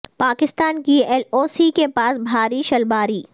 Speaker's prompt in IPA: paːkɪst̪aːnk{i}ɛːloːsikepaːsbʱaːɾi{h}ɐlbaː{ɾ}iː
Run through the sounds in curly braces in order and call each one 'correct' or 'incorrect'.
correct, incorrect: ʃ, correct

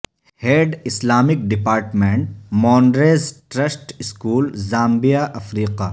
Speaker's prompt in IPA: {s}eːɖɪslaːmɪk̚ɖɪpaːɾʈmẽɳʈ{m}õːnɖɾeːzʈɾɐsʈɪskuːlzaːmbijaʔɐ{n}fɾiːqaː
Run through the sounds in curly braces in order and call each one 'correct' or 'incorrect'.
incorrect: h, correct, incorrect: none

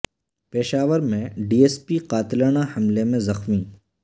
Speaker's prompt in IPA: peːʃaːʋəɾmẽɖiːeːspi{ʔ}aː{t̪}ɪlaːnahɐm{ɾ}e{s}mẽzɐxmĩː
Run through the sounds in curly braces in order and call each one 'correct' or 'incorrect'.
incorrect: q, correct, incorrect: l, incorrect: none

